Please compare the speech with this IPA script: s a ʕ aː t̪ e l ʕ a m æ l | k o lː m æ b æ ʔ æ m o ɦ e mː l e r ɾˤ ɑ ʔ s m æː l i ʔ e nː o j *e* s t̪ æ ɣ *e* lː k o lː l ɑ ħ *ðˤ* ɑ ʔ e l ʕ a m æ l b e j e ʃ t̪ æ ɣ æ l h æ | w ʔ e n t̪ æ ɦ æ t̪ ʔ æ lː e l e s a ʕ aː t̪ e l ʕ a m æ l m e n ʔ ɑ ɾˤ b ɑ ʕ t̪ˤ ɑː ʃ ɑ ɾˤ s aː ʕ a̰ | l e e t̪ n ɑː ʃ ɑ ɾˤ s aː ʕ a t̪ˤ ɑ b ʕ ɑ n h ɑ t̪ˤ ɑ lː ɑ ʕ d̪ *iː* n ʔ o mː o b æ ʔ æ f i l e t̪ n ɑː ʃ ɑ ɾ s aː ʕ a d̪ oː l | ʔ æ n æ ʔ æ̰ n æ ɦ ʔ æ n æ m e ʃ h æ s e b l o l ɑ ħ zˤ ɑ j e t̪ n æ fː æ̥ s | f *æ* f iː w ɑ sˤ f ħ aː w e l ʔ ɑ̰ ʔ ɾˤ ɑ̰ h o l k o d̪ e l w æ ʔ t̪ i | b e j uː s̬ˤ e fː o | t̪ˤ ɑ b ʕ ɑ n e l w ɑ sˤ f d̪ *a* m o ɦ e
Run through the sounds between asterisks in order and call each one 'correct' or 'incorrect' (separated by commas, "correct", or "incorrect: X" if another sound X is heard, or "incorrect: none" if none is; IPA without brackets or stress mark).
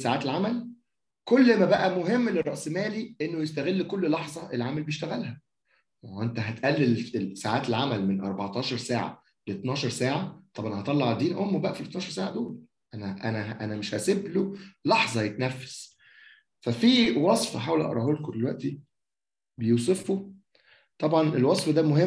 correct, correct, incorrect: zˤ, correct, correct, incorrect: æ